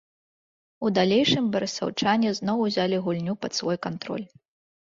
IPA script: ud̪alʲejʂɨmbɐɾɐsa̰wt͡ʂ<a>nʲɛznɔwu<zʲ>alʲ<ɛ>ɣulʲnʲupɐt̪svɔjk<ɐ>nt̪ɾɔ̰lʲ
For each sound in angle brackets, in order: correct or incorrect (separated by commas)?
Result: correct, correct, incorrect, incorrect